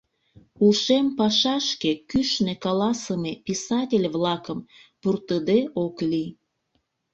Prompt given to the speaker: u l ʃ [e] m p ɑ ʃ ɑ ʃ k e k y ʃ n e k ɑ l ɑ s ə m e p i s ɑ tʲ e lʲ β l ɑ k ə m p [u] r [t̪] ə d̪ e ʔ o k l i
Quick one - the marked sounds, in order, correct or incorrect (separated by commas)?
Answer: correct, correct, correct